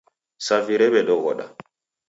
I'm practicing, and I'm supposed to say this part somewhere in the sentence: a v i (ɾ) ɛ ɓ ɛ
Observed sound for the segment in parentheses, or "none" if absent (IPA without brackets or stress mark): ɾ